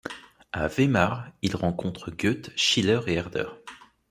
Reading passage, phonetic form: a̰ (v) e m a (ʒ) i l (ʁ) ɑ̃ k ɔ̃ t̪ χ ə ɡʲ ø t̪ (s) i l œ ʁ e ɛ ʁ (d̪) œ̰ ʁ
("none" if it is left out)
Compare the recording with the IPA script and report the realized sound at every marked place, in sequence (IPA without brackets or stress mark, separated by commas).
v, ʁ, ʁ, ʃ, d̪